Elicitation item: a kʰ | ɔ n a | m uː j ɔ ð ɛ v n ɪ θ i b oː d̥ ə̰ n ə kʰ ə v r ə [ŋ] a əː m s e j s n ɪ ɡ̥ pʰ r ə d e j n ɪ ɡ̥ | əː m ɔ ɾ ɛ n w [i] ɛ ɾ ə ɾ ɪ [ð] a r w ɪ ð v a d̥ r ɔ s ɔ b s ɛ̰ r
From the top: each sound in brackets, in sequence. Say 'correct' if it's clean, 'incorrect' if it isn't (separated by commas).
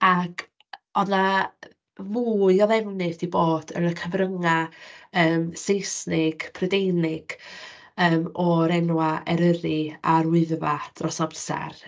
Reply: correct, incorrect, incorrect